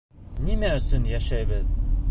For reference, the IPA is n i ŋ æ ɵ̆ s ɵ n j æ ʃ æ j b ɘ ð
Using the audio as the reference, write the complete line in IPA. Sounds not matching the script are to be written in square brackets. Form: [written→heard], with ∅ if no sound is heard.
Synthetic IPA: n i [ŋ→m] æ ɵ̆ s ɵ n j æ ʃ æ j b ɘ ð